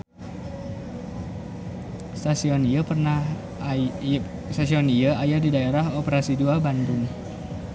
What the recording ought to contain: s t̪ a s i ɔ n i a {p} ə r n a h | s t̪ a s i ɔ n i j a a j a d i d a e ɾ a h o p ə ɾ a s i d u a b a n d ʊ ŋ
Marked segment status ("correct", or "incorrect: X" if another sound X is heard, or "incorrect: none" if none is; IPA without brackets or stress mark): correct